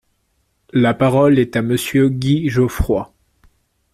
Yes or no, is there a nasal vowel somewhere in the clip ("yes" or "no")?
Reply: no